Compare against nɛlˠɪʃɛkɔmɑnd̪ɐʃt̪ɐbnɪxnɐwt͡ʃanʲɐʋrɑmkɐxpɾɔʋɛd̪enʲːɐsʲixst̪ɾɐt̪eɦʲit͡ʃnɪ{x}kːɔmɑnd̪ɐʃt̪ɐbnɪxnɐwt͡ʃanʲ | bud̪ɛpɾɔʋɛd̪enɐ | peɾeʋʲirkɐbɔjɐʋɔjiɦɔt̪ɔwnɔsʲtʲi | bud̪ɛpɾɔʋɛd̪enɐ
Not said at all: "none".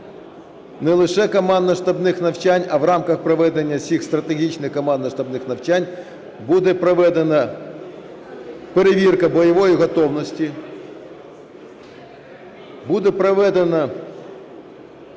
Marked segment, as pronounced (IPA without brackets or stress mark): x